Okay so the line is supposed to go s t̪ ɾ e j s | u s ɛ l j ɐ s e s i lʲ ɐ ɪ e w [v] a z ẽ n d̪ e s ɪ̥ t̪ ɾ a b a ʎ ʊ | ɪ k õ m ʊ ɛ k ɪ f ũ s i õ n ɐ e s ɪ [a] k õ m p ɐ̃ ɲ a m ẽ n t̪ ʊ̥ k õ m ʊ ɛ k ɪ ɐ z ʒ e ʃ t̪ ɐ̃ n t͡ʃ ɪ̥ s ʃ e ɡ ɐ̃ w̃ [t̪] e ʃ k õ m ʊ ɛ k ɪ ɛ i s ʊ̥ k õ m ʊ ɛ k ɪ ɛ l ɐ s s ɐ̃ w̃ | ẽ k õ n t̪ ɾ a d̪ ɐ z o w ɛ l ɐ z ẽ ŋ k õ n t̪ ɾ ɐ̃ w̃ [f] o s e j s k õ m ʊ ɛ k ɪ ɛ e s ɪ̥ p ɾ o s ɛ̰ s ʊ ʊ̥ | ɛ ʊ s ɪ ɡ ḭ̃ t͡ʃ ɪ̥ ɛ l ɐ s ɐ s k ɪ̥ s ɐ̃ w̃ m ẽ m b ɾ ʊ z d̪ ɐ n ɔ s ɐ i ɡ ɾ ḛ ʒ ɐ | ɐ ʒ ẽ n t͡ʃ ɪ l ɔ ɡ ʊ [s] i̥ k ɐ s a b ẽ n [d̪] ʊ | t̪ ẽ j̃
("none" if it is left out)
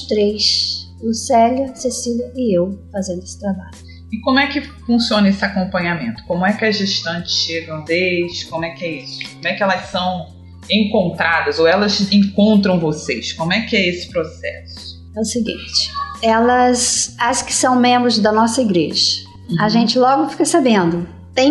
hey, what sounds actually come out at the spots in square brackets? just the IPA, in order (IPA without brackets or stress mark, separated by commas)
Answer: f, a, d̪, v, f, d̪